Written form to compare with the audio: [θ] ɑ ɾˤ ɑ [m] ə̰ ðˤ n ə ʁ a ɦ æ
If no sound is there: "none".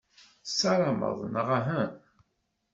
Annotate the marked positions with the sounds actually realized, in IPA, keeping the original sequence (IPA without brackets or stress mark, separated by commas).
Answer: s, m